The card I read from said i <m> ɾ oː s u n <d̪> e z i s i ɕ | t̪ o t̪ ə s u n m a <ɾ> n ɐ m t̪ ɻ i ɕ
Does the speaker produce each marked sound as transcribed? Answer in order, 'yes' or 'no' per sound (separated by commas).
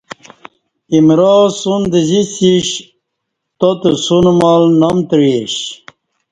yes, yes, no